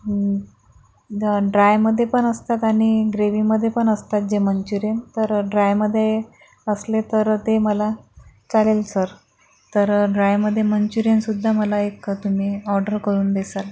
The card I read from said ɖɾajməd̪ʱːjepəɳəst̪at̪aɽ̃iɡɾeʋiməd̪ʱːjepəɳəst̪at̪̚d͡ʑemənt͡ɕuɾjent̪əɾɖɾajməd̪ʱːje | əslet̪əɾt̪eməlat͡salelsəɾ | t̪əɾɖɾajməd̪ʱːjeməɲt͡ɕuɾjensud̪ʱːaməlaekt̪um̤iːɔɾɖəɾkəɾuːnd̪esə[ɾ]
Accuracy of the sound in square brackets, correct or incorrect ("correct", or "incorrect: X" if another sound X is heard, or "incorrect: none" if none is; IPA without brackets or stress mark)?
incorrect: l